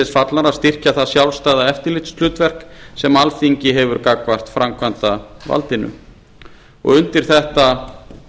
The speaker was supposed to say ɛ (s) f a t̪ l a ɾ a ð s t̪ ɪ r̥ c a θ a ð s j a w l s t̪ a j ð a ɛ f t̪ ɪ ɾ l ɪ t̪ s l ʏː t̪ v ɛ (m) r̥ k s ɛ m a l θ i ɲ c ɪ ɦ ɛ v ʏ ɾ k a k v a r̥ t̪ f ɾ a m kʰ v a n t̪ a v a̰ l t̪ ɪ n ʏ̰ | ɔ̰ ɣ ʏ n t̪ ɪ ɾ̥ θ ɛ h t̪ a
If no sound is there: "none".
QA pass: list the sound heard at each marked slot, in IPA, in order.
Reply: s, none

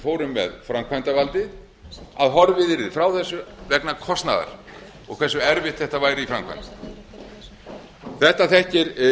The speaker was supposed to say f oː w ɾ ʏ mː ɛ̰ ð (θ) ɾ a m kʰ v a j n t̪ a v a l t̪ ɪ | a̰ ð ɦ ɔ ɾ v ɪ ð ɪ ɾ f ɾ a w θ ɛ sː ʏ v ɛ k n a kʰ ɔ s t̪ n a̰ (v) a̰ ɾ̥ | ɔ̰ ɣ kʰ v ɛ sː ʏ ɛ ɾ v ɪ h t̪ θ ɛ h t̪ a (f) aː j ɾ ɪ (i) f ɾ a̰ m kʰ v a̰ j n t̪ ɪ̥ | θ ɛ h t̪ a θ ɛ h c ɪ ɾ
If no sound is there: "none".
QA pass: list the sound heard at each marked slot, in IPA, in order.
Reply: f, ð, v, i

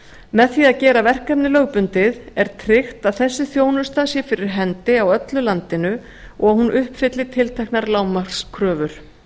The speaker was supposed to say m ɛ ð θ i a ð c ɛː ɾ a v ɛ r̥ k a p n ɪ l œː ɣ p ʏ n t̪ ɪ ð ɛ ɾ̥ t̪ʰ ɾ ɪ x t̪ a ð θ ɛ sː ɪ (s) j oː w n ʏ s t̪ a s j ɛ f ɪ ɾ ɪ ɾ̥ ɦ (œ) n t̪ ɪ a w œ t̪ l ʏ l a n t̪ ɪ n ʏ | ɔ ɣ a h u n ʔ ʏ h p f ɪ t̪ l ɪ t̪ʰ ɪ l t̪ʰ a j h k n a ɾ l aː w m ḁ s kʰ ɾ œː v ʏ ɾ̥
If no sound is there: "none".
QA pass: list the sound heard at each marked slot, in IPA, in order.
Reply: θ, ɛ

